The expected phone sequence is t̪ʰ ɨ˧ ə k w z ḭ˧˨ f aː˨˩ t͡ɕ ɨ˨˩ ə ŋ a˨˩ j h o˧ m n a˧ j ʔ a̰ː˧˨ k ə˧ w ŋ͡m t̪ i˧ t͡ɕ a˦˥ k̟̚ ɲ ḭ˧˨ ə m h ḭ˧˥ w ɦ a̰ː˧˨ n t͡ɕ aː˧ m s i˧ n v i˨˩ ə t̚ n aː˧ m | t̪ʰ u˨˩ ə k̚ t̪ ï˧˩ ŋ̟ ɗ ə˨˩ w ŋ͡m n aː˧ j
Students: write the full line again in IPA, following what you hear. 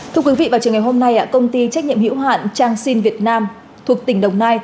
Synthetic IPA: t̪ʰ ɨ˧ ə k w v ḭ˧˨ v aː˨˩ t͡ɕ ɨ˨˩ ə ŋ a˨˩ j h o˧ m n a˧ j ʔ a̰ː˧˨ k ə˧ w ŋ͡m t̪ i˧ t͡ɕ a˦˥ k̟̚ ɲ ḭ˧˨ ə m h ḭ˧˥ w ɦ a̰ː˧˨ n t͡ɕ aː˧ ŋ s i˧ n v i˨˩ ə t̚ n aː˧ m | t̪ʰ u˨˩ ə k̚ t̪ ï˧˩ ŋ̟ ɗ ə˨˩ w ŋ͡m n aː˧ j